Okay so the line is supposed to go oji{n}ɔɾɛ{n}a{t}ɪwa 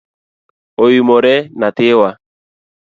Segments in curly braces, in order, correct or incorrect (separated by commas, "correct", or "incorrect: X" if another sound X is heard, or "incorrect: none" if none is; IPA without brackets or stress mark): incorrect: m, correct, correct